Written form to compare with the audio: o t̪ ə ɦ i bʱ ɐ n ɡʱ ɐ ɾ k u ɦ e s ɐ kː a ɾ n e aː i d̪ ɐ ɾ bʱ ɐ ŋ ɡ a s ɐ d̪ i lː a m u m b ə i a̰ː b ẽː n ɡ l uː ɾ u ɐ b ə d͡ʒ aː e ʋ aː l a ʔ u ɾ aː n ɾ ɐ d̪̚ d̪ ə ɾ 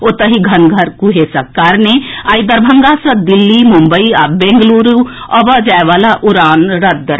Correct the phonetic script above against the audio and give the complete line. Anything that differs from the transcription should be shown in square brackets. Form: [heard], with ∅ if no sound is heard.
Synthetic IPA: o t̪ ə ɦ i [ɡʱ] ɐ n ɡʱ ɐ ɾ k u ɦ e s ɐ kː a ɾ n e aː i d̪ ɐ ɾ bʱ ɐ ŋ ɡ a s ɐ d̪ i lː [i] m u m b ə i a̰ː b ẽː [ŋ] ɡ l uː ɾ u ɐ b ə d͡ʒ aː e ʋ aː l a ʔ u ɾ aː n ɾ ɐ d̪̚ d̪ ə ɾ